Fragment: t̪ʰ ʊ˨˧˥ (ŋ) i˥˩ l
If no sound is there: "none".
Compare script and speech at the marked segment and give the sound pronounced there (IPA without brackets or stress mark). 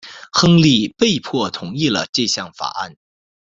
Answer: ŋ